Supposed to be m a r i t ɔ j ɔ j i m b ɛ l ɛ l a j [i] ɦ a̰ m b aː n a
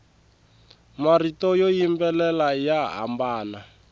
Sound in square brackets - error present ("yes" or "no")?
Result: yes